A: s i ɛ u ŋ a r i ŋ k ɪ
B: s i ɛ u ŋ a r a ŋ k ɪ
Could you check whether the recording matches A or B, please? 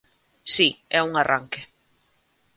B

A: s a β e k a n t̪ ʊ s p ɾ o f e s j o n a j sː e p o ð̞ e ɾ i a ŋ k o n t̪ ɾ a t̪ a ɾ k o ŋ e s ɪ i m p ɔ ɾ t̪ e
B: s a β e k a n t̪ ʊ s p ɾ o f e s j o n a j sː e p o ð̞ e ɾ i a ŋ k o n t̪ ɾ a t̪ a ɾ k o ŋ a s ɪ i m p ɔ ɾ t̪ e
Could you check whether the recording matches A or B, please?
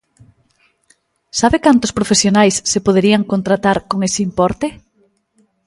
A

